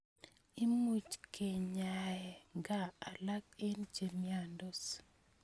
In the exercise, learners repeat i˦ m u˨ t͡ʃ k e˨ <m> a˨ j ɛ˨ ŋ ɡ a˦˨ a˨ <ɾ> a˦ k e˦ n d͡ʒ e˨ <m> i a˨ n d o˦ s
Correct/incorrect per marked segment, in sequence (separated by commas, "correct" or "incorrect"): incorrect, incorrect, correct